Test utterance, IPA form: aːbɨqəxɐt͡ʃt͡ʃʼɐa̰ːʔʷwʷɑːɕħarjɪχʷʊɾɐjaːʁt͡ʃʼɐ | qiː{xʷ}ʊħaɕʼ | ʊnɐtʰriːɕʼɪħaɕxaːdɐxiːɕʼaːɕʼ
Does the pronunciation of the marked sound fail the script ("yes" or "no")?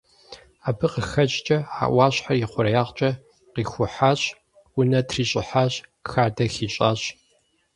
no